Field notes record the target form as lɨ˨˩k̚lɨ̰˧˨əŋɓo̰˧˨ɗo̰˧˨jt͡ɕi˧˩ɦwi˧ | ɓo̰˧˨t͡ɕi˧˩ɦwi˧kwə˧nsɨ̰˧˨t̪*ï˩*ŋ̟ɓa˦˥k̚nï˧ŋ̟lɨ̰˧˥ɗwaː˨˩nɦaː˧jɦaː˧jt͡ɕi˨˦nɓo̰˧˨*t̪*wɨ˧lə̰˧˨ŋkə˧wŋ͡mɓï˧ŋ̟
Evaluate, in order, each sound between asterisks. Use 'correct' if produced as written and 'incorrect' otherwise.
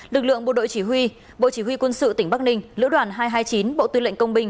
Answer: correct, correct

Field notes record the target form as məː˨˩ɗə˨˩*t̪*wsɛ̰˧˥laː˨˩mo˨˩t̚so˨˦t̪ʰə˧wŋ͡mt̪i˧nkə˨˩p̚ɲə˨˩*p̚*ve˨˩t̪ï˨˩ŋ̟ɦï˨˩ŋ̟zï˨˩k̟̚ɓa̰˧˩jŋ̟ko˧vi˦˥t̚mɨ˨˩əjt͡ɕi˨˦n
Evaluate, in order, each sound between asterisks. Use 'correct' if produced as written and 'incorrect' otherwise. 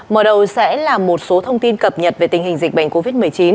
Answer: incorrect, incorrect

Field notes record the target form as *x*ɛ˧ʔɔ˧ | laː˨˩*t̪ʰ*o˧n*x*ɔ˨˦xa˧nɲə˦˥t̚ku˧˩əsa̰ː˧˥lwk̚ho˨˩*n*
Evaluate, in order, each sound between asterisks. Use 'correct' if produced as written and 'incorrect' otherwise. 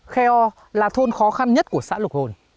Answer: correct, correct, correct, correct

